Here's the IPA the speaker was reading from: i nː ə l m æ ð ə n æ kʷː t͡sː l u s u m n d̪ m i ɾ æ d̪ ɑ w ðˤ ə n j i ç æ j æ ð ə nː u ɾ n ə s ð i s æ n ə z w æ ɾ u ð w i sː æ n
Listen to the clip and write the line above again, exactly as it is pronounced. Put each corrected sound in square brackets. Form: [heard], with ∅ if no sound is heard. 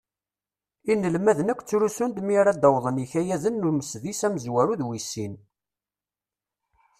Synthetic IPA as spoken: i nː ə l m æ ð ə n æ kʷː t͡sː [ɾ] u s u [∅] n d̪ m i ɾ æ d̪ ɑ w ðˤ ə n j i ç æ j æ ð ə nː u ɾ [m] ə s ð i s æ [m] ə z w æ ɾ u ð w i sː [i] n